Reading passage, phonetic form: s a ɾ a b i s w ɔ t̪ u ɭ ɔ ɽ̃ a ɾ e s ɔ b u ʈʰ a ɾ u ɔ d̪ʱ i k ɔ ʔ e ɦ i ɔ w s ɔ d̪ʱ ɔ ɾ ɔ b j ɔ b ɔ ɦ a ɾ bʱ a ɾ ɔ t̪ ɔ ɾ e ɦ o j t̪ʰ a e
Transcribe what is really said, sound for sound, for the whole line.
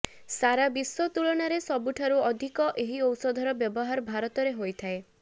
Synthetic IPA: s a ɾ a b i s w ɔ t̪ u ɭ ɔ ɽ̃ a ɾ e s ɔ b u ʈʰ a ɾ u ɔ d̪ʱ i k ɔ ʔ e ɦ i ɔ w s ɔ d̪ʱ ɔ ɾ ɔ b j ɔ b ɔ ɦ a ɾ bʱ a ɾ ɔ t̪ ɔ ɾ e ɦ o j t̪ʰ a e